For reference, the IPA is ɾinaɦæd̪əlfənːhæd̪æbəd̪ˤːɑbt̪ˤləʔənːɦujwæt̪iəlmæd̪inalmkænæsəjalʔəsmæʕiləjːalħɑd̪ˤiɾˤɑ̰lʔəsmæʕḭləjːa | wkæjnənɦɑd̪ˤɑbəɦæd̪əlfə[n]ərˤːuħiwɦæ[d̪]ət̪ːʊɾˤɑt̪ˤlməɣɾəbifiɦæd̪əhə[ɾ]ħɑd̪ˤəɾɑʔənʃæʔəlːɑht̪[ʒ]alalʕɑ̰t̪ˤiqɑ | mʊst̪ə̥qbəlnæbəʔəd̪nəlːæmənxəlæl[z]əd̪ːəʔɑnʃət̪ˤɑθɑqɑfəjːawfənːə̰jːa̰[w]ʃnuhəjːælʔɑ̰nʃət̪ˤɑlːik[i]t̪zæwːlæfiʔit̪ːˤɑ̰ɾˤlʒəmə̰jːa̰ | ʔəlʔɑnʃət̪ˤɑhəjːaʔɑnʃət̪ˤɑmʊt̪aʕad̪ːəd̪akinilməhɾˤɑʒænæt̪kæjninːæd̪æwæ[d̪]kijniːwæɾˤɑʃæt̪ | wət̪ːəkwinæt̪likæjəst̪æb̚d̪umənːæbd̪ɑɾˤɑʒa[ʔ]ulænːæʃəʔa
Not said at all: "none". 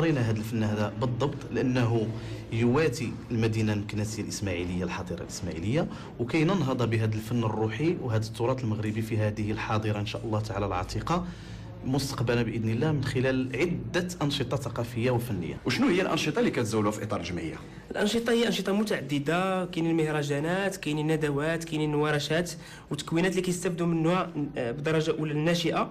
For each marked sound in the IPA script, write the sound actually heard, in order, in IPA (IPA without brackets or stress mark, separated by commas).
nː, d̪, l, ʕ, ʕ, w, æ, t̪, ʔ